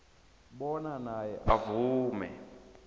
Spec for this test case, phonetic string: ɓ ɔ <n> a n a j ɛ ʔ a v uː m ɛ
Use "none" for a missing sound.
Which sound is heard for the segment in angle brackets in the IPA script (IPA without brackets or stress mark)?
n